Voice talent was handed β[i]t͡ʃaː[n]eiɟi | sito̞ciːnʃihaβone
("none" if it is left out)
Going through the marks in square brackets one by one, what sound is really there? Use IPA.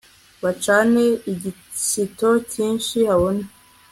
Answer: a, n

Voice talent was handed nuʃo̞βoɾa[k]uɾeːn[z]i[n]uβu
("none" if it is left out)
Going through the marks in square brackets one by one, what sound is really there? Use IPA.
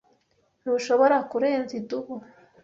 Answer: k, z, d

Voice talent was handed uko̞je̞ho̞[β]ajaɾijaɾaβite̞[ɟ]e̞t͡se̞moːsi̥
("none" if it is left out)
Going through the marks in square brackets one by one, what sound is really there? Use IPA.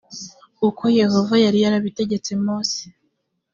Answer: v, ɟ

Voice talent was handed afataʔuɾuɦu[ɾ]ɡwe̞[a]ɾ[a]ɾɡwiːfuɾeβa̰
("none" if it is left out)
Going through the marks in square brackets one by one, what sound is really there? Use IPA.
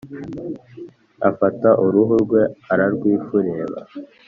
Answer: ɾ, a, a

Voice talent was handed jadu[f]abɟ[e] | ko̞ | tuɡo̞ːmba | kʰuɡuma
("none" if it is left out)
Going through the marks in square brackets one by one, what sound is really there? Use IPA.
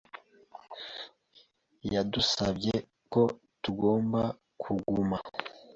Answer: s, e

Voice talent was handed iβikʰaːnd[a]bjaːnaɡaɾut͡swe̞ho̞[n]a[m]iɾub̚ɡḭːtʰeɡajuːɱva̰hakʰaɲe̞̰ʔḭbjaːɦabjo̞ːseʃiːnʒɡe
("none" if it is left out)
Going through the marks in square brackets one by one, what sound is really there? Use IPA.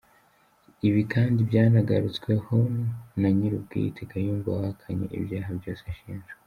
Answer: i, n, ɲ

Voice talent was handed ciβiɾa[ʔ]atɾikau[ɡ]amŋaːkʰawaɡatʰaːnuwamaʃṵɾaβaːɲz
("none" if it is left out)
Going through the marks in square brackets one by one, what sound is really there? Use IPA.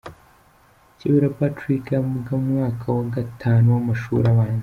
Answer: p, ɡ

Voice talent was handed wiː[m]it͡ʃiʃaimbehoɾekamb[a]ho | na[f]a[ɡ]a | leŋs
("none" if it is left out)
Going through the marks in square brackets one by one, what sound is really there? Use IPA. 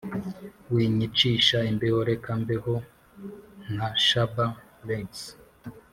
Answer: ɲ, e, ʃ, b

